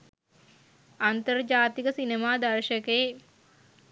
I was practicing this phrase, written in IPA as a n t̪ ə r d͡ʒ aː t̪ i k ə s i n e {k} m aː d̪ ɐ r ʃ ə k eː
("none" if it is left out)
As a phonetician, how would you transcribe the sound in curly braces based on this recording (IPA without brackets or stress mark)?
none